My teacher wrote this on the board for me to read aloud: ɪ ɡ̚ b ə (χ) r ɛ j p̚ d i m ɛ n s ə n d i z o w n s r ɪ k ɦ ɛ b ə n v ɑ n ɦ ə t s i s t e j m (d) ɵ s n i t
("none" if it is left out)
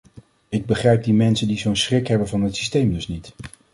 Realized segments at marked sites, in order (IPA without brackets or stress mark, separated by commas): χ, d